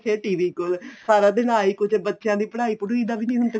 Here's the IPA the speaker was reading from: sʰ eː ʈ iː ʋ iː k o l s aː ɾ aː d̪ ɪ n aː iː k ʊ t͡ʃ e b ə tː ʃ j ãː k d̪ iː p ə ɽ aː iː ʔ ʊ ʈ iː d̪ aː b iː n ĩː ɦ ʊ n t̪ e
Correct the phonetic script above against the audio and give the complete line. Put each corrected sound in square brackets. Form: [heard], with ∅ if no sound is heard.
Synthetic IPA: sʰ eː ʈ iː ʋ iː k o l s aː ɾ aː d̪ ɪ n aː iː k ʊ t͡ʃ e b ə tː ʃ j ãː [∅] d̪ iː p ə ɽ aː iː [p] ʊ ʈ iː d̪ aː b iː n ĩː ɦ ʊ n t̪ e